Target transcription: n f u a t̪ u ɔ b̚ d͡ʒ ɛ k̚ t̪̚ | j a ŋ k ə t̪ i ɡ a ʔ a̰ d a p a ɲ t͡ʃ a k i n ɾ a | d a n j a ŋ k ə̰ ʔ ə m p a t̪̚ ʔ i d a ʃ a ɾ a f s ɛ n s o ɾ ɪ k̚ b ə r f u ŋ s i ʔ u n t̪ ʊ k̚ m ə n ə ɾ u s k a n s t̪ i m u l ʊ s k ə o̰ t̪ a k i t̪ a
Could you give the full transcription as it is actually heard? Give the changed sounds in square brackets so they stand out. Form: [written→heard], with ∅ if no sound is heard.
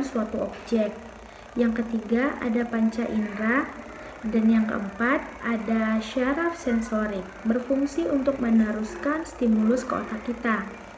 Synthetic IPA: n [f→s] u a t̪ u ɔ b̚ d͡ʒ ɛ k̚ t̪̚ | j a ŋ k ə t̪ i ɡ a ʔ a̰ d a p a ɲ t͡ʃ a [k→ʔ] i n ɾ a | d a n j a ŋ k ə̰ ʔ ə m p a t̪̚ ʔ [i→a] d a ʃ a ɾ a f s ɛ n s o ɾ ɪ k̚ b ə r f u ŋ s i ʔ u n t̪ ʊ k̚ m ə n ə ɾ u s k a n s t̪ i m u l ʊ s k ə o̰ t̪ a k i t̪ a